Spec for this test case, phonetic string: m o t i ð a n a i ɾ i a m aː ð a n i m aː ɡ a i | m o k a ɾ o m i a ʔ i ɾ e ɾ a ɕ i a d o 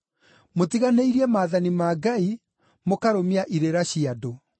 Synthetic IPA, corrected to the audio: m o t i ɣ a n e i ɾ i ɛ m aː ð a n i m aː ɡ a i | m o k a ɾ o m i a ʔ i ɾ e ɾ a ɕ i a d o

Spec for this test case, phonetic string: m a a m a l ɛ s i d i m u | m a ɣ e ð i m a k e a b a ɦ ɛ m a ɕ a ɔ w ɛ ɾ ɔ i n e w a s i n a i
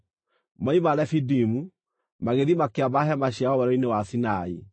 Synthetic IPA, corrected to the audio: m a i m a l ɛ f i d i m u | m a ɣ e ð i m a k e a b a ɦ ɛ m a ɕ a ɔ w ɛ ɾ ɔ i n e w a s i n a i

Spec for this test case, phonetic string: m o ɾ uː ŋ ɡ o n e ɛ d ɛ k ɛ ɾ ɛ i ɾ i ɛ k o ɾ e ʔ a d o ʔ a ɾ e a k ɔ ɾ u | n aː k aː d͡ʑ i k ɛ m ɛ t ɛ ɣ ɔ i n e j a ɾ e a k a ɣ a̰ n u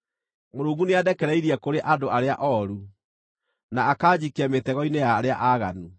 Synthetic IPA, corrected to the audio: m o ɾ uː ŋ ɡ u n e a d ɛ k ɛ ɾ ɛ i ɾ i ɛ k o ɾ e ʔ a d o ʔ a ɾ e a ʔ ɔ ɾ u | n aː k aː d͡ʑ i k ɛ m e t ɛ ɣ ɔ i n e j a ɾ e a ʔ a ɣ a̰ n u

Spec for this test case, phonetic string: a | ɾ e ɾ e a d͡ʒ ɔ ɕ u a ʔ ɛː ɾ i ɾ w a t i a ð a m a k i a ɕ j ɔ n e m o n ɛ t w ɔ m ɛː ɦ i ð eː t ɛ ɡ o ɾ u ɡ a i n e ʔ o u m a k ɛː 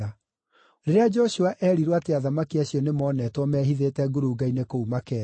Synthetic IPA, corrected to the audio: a | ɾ e ɾ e a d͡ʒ ɔ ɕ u a ʔ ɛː ɾ i ɾ w a t e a ð a m a k i a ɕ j ɔ n e m ɔ n ɛ t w ɔ m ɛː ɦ i ð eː t ɛ ɡ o ɾ u ɡ a i n e k o u m a k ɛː

